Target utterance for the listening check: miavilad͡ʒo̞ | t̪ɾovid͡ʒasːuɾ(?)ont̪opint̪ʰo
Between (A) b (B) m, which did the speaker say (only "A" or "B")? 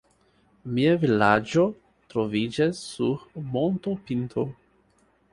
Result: B